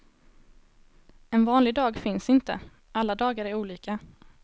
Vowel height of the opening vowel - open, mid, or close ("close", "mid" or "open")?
mid